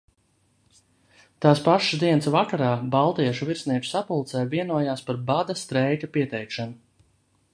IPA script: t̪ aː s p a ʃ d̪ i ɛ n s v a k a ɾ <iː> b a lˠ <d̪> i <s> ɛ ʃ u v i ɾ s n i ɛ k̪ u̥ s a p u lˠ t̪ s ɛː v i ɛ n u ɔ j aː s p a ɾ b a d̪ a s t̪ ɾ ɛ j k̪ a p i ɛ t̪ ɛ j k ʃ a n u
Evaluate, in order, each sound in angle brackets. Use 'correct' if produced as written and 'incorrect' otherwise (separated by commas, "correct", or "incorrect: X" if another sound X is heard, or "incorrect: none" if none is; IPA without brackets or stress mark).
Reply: incorrect: aː, incorrect: t̪, incorrect: none